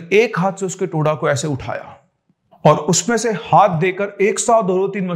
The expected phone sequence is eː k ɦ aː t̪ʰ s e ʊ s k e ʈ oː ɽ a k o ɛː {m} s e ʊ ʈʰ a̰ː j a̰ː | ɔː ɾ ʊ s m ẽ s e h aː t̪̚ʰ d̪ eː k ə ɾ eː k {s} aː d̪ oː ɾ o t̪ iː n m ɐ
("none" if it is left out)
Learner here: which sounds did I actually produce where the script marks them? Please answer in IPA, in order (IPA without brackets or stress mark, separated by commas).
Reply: none, s